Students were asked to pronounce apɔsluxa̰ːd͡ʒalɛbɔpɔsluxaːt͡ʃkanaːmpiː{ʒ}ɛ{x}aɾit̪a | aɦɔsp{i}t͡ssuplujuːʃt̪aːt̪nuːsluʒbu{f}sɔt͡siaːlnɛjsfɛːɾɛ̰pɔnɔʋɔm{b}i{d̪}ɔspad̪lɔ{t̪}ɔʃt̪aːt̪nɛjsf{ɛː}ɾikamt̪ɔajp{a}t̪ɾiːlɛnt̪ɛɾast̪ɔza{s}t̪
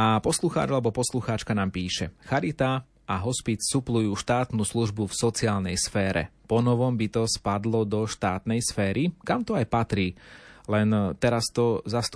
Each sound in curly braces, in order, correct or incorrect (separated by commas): incorrect, correct, correct, correct, correct, incorrect, incorrect, correct, correct, correct